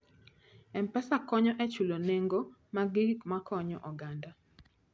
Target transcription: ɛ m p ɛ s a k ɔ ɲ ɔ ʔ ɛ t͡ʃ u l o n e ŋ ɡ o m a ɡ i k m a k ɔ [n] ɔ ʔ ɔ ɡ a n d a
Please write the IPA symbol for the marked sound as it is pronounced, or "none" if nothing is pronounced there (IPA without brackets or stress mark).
ɲ